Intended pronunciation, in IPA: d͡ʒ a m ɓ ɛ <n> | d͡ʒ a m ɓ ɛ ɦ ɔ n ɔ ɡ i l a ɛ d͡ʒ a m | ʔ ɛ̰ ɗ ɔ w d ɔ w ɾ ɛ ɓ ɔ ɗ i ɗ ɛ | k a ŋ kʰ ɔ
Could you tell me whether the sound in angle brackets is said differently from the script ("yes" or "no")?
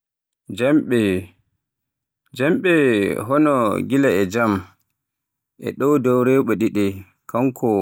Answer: yes